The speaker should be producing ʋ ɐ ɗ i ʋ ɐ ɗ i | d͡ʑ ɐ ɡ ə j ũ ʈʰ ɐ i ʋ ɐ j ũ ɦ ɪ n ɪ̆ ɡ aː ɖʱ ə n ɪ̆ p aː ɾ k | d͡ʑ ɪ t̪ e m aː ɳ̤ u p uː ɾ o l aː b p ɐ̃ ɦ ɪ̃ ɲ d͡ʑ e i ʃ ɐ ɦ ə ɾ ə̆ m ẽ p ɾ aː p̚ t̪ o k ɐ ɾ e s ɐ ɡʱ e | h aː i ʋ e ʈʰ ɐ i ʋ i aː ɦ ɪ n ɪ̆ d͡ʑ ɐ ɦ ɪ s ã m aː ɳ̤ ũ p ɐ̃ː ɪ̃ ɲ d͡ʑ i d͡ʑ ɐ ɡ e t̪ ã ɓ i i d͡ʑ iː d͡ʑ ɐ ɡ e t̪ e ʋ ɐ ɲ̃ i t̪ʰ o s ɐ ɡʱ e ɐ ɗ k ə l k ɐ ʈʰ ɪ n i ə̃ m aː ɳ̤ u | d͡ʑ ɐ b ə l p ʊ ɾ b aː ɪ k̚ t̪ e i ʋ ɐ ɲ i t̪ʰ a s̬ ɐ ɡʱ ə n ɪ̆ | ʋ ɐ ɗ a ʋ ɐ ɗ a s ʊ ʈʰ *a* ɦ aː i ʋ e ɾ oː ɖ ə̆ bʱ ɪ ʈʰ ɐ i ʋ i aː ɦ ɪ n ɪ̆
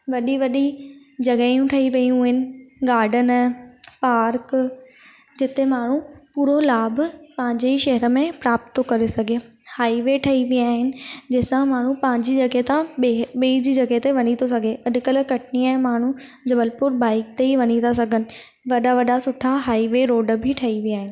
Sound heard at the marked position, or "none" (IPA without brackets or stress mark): a